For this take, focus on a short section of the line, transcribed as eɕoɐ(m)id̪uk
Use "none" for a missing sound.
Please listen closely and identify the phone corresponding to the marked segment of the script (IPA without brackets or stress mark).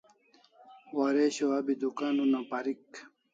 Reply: b